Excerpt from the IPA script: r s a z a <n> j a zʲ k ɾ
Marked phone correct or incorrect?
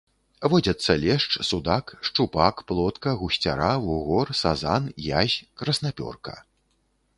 correct